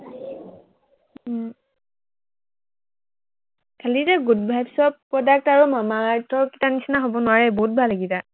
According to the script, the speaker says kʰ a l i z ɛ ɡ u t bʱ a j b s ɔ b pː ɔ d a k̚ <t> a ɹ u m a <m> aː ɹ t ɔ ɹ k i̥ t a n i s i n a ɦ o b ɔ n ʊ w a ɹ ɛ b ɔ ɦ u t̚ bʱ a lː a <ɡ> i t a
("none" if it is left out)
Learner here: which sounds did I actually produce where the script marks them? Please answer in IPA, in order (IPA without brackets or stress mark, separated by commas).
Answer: t, m, ɡ